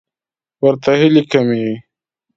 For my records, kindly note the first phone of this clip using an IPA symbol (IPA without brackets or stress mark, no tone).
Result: w